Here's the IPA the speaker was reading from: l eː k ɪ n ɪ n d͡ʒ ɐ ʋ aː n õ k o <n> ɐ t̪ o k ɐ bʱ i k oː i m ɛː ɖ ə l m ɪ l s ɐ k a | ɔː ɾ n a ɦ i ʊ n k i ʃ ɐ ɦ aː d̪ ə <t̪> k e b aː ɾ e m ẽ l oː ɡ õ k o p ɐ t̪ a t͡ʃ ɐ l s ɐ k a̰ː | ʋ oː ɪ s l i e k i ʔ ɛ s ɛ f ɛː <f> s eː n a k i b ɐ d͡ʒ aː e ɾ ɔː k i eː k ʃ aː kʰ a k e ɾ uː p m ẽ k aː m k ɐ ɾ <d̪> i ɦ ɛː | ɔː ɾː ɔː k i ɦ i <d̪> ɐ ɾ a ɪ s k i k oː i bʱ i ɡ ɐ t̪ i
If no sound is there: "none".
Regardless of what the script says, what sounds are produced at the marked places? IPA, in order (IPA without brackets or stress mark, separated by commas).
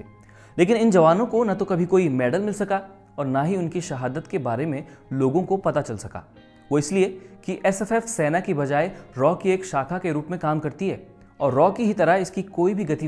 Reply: n, t̪, f, t̪, t̪